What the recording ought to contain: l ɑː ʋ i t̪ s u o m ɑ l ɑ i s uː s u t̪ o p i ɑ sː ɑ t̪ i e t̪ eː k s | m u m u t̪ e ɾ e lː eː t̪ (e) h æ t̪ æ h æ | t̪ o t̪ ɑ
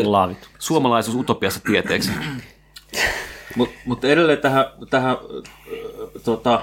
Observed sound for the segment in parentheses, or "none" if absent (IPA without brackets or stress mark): æ